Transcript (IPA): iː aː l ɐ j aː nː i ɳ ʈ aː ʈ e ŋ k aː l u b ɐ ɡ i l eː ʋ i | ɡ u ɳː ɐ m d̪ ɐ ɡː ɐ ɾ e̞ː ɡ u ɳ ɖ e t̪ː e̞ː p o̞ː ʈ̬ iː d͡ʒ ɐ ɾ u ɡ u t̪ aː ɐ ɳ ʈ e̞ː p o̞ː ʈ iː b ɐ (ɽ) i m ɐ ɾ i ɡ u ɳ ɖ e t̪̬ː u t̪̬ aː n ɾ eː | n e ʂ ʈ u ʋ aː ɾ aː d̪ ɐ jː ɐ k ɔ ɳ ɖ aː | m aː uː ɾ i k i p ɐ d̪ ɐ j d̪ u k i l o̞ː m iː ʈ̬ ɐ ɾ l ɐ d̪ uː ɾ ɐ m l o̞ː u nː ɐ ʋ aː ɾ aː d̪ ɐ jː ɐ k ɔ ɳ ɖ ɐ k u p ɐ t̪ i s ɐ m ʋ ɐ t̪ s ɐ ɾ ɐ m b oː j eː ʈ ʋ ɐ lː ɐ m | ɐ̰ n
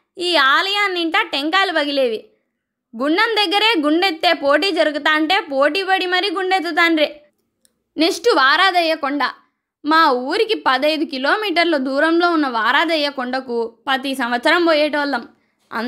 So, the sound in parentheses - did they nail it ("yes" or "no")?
yes